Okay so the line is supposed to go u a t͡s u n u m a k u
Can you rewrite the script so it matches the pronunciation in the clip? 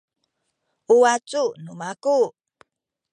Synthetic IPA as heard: u a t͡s u n u m a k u